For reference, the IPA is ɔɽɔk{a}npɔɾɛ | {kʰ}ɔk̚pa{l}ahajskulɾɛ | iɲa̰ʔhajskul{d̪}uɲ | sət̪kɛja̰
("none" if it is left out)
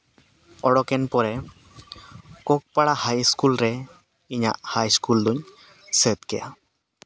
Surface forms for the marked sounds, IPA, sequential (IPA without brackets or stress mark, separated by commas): ɛ, k, ɽ, d̪